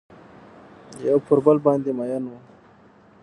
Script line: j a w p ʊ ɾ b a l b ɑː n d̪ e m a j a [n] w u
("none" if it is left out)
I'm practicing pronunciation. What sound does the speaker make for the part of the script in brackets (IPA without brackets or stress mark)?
n